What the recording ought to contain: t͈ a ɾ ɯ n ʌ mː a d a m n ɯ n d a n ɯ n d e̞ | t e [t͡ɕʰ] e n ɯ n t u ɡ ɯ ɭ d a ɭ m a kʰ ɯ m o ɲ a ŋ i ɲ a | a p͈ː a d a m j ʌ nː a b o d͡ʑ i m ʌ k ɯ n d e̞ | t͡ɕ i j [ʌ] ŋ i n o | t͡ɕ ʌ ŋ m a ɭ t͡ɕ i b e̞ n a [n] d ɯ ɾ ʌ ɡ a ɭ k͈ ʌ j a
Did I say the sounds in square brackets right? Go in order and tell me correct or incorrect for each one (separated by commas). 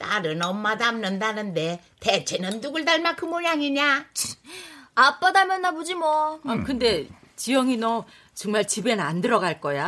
correct, correct, correct